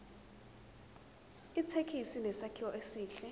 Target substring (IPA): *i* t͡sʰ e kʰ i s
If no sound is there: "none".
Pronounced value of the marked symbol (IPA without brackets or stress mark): i